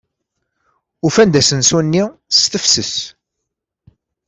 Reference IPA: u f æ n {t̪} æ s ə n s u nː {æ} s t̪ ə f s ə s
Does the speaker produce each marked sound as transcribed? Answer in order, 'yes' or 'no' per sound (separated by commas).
no, no